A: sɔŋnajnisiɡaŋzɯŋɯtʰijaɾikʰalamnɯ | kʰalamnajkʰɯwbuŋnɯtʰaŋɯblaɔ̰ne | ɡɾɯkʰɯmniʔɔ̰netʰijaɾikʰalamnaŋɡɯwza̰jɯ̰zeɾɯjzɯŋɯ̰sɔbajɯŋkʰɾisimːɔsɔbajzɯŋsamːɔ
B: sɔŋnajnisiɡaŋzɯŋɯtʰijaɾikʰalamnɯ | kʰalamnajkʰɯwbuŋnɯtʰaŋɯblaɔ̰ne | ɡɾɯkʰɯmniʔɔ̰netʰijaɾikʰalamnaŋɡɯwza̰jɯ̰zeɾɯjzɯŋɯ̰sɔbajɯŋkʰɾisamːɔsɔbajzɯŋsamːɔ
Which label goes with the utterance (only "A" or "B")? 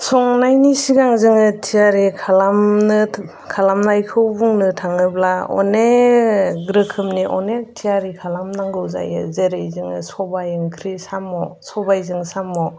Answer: B